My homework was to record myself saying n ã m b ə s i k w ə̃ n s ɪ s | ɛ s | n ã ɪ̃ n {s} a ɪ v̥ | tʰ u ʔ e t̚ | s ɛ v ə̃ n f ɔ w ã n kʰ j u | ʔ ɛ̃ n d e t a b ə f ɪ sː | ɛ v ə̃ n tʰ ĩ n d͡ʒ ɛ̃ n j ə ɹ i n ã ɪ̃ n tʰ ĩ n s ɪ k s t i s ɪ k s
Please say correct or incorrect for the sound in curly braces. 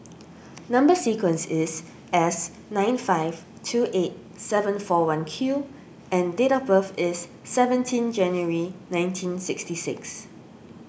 incorrect